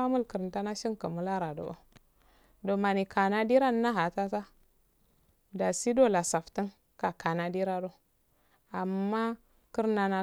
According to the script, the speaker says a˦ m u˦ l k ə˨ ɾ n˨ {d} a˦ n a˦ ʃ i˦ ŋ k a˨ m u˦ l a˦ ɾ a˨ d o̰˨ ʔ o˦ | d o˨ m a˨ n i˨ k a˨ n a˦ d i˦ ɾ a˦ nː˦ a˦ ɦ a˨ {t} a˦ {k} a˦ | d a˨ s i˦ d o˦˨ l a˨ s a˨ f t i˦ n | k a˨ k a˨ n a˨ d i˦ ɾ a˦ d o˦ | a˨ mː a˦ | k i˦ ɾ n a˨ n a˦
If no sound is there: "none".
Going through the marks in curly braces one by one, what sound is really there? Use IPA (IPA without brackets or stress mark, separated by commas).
t, t, t